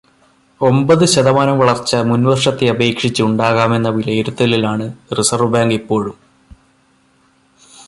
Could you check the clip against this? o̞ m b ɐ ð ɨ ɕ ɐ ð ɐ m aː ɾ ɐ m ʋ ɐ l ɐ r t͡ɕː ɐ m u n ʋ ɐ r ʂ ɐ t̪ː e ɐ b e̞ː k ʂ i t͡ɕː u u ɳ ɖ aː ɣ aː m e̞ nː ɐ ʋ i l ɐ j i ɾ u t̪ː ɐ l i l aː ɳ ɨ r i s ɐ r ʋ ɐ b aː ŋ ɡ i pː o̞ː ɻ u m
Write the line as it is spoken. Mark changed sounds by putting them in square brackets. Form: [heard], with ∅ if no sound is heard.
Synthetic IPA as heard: o̞ m b ɐ ð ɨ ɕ ɐ ð ɐ m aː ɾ ɐ m ʋ ɐ [ɭ] ɐ r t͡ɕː ɐ m u n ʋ ɐ r ʂ ɐ t̪ː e ɐ b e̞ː k ʂ i t͡ɕː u u ɳ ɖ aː ɣ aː m e̞ nː ɐ ʋ i l ɐ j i ɾ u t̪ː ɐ l i l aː ɳ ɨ r i s ɐ r ʋ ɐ b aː ŋ ɡ i pː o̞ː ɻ u m